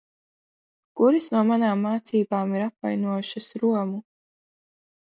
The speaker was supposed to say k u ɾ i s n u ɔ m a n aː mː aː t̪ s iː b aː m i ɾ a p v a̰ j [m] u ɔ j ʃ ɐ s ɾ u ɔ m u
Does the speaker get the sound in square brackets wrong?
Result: yes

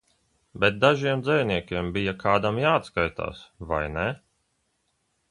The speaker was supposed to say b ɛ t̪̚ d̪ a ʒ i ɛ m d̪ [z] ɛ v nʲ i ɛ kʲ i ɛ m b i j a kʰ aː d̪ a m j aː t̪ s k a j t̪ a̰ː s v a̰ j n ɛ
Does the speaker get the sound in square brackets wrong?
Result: no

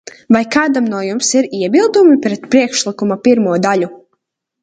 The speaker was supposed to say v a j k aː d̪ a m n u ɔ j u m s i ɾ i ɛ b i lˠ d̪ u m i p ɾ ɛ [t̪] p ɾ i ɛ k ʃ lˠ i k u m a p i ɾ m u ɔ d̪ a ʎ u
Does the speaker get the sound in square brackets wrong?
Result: no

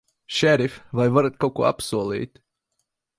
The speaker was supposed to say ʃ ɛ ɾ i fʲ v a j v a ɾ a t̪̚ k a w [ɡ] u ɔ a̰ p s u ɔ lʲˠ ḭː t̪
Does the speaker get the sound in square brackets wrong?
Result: yes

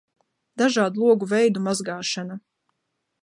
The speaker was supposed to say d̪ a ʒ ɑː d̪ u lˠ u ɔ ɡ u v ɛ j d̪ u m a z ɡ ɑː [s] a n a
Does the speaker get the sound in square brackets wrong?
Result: yes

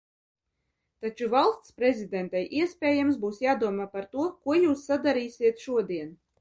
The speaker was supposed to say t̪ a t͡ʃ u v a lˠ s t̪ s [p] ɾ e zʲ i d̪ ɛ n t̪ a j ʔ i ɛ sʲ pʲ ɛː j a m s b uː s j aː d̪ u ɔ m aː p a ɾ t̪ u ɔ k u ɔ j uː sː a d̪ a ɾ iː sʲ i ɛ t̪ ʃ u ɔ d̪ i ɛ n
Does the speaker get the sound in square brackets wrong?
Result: no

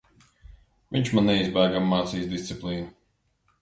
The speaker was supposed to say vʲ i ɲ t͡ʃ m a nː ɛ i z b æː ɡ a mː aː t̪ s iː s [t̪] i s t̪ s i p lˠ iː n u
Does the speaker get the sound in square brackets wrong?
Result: yes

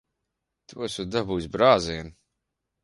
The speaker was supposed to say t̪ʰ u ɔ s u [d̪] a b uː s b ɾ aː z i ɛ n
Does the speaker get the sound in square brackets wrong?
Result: no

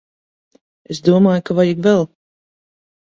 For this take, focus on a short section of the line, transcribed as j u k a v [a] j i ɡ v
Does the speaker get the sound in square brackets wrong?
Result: no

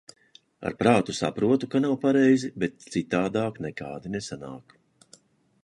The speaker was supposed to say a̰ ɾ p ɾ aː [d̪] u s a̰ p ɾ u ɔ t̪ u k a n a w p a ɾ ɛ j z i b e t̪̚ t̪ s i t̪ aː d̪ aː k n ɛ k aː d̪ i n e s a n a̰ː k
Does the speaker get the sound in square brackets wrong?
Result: yes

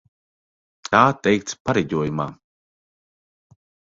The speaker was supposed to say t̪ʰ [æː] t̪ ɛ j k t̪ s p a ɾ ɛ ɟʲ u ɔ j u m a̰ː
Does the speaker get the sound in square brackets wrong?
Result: yes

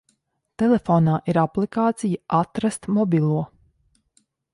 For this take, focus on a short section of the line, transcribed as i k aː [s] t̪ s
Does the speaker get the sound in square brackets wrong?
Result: yes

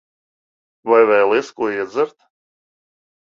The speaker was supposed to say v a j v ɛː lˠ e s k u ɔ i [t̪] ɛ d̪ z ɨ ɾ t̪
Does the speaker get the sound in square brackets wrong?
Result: yes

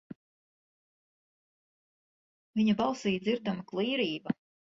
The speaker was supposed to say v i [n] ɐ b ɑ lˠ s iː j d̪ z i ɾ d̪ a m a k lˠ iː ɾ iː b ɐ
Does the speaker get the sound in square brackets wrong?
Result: yes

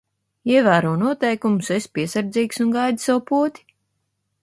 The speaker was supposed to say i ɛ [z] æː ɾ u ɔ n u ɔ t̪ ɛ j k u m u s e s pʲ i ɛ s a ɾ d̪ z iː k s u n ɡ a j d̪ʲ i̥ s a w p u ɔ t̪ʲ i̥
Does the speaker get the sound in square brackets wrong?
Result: yes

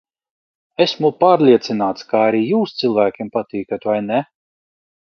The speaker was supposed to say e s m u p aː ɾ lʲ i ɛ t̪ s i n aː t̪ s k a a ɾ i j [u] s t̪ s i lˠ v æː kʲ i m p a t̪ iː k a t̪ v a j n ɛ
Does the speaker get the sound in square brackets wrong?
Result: yes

